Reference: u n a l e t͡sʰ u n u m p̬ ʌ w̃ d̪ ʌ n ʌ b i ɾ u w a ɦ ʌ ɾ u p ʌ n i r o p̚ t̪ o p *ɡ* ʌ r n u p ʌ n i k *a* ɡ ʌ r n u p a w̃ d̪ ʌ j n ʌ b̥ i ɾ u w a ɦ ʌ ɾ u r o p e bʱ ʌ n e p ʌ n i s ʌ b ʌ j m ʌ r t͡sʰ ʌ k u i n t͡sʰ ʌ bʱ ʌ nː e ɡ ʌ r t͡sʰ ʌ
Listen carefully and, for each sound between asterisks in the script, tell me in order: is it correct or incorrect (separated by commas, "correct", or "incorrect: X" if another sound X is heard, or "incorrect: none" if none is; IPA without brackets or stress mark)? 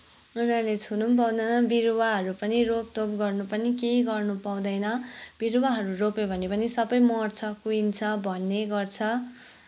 correct, incorrect: e